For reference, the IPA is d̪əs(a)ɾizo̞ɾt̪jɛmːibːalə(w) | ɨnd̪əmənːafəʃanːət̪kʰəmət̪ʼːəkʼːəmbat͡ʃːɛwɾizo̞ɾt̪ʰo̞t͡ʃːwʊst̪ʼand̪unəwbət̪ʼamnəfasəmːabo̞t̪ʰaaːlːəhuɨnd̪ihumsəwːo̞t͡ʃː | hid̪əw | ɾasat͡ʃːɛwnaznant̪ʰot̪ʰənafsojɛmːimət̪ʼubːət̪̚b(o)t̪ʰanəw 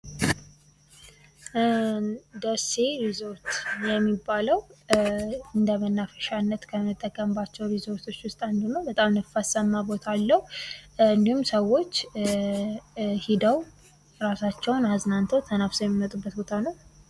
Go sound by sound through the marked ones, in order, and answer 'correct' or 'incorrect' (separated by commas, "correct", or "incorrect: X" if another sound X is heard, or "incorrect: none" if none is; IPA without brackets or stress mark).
incorrect: e, correct, correct